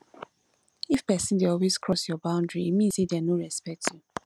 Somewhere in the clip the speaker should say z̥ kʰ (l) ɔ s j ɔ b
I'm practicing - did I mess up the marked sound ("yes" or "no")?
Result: yes